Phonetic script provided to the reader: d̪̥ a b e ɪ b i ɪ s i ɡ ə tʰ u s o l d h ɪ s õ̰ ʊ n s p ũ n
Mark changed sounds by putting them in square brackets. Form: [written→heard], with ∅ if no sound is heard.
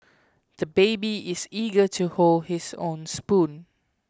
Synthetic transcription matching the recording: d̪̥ [a→ə] b e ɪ b i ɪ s i ɡ ə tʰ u [s→h] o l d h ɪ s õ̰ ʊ n s p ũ n